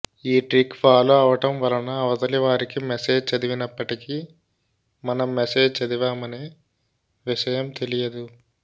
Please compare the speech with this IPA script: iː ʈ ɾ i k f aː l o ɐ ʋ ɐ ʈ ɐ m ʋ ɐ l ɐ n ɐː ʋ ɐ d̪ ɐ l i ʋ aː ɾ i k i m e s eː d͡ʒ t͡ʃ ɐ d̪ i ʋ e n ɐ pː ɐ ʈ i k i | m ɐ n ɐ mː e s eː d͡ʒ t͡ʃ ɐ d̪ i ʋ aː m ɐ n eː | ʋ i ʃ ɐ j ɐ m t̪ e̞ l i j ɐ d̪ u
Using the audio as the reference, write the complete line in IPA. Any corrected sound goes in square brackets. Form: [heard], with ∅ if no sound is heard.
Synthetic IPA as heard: iː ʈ ɾ i k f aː l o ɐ ʋ ɐ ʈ ɐ m ʋ ɐ l ɐ n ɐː ʋ ɐ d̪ ɐ l i ʋ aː ɾ i k i m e s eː d͡ʒ t͡ʃ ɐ d̪ i ʋ [i] n ɐ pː ɐ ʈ i k i | m ɐ n ɐ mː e s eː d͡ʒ t͡ʃ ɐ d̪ i ʋ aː m ɐ n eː | ʋ i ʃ ɐ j ɐ m t̪ e̞ l i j ɐ d̪ u